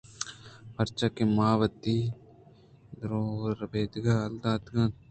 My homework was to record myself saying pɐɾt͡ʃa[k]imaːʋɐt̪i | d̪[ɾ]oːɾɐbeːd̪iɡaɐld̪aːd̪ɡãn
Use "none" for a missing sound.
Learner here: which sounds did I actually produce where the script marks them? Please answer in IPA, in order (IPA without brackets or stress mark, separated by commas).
k, ɾ